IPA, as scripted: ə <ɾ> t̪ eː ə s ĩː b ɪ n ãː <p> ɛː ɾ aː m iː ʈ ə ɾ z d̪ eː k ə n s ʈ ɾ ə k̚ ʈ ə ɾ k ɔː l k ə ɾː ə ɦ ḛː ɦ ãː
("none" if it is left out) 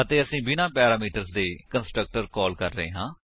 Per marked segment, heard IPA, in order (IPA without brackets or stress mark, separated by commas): none, p